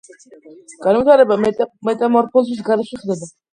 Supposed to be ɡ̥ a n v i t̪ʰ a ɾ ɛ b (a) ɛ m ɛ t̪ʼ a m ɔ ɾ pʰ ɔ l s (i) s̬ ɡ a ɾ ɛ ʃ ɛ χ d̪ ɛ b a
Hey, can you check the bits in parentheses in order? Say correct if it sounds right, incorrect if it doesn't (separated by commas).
correct, correct